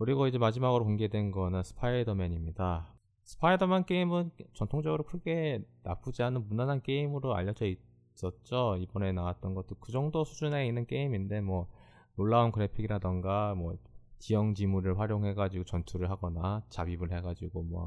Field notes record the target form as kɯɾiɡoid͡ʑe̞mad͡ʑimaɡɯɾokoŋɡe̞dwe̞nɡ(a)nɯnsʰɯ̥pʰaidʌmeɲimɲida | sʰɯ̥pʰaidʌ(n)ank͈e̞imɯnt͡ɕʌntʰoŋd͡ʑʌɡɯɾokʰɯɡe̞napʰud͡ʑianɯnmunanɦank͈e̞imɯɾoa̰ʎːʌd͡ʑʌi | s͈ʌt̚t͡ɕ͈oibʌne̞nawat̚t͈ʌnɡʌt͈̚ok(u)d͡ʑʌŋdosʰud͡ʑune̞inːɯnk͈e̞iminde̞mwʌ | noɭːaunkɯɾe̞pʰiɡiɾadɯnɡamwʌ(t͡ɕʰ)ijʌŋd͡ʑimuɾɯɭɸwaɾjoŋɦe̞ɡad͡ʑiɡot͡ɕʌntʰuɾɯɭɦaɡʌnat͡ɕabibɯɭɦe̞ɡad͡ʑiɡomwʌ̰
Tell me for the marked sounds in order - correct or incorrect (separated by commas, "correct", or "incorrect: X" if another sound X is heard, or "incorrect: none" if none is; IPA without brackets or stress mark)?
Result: incorrect: ʌ, incorrect: m, incorrect: ɯ, incorrect: t͡ɕ